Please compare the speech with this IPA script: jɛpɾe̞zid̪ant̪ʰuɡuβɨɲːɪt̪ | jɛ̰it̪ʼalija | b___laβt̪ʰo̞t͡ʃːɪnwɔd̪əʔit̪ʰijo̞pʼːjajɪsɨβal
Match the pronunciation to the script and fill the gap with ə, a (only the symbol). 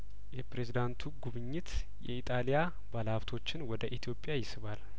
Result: a